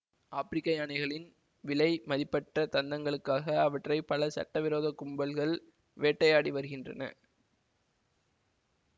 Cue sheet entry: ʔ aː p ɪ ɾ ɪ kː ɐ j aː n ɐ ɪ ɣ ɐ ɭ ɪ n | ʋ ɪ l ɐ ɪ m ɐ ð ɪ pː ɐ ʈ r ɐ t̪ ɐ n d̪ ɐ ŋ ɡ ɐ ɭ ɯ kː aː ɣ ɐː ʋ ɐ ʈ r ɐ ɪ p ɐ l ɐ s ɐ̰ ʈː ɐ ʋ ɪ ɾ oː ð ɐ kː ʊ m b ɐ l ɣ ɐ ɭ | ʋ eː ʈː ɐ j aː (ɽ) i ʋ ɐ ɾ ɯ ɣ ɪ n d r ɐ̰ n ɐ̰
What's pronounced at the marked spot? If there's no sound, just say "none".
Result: ɽ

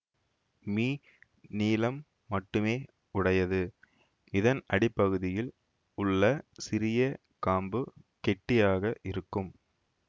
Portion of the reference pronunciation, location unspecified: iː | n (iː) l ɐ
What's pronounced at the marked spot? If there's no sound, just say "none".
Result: iː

